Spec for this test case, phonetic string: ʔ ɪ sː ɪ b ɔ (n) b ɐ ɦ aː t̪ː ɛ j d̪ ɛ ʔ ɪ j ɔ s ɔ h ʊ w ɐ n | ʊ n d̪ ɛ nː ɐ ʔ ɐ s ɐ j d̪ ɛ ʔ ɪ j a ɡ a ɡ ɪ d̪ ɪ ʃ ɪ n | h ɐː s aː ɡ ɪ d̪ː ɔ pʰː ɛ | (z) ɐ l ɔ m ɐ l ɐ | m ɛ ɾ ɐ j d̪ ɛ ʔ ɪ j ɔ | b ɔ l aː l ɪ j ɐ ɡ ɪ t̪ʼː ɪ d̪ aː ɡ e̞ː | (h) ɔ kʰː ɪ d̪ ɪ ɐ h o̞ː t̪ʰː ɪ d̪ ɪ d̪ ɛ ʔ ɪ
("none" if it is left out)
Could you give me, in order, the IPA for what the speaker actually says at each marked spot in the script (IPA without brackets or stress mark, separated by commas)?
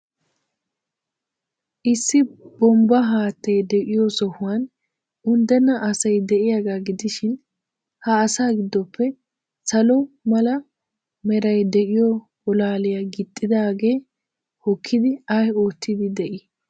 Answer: m, s, h